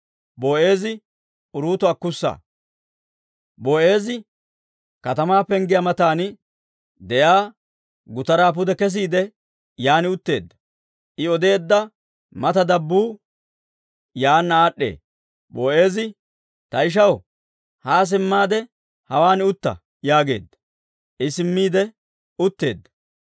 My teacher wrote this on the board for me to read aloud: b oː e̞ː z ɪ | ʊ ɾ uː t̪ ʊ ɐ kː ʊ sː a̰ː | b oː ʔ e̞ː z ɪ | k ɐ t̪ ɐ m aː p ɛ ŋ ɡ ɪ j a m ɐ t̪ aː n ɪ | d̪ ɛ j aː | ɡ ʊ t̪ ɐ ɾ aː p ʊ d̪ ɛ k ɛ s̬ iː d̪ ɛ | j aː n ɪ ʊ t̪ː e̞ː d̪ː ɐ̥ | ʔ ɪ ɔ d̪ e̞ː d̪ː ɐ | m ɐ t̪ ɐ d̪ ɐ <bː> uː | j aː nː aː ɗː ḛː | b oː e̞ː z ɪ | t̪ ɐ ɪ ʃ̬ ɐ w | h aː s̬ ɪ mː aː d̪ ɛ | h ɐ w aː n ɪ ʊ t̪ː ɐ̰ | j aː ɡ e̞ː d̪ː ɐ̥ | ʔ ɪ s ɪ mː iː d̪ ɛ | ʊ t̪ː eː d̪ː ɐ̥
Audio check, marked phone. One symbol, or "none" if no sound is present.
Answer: bː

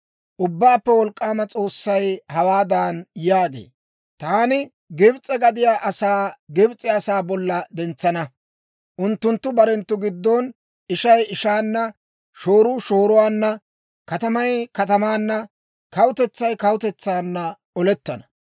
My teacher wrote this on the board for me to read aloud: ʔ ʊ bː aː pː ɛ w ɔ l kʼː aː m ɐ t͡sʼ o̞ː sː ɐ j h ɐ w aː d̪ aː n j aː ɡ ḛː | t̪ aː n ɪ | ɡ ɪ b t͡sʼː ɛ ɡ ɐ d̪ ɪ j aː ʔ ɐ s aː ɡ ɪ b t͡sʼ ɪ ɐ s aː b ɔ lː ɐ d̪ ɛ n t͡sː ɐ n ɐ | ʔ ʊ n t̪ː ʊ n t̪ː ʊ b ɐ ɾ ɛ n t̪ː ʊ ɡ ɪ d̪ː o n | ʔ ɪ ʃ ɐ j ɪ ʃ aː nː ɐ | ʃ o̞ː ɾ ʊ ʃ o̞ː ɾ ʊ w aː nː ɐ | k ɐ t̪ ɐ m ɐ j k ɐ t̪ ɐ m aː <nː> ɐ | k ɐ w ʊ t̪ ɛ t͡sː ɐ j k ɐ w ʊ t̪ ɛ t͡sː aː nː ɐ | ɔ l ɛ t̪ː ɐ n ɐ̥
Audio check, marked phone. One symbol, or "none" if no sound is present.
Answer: nː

